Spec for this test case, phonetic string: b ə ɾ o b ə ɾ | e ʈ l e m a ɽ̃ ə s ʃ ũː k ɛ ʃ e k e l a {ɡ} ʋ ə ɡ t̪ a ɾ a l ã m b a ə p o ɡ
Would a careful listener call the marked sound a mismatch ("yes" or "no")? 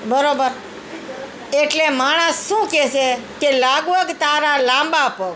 no